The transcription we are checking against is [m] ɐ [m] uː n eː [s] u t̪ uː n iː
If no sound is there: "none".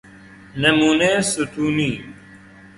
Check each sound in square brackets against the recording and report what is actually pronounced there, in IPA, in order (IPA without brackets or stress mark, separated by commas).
n, m, s